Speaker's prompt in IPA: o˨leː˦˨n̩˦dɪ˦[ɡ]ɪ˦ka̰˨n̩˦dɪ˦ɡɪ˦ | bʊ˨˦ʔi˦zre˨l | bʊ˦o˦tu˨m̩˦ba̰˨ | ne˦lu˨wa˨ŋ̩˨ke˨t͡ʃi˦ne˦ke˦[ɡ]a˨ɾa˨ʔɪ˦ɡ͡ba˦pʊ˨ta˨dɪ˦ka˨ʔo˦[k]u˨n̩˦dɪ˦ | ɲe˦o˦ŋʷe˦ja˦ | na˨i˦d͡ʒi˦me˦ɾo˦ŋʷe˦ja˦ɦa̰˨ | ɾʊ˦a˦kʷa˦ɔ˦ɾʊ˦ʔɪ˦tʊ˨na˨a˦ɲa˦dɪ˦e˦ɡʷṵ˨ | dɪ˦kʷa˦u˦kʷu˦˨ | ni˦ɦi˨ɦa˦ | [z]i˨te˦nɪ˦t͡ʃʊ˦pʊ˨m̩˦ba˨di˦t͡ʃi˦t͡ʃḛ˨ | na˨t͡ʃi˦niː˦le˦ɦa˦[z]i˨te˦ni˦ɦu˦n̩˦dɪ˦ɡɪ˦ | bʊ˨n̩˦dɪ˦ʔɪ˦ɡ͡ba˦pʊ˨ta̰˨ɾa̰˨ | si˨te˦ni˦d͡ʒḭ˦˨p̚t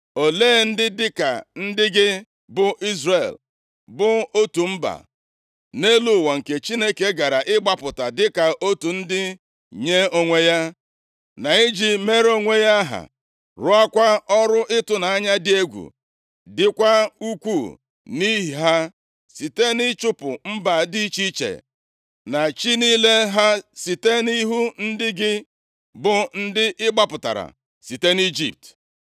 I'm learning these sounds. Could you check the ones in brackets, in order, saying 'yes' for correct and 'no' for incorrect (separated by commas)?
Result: no, yes, no, no, no